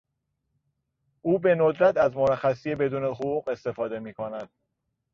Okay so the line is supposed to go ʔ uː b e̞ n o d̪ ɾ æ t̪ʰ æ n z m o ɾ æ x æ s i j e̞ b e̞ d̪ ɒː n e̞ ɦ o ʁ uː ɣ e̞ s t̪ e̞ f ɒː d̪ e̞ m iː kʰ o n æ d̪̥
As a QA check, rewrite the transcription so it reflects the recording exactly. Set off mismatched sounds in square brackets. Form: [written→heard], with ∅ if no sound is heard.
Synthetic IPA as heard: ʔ uː b e̞ n o d̪ ɾ æ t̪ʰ æ [n→∅] z m o ɾ æ x æ s i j e̞ b e̞ d̪ [ɒː→uː] n e̞ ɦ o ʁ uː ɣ e̞ s t̪ e̞ f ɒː d̪ e̞ m iː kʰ o n æ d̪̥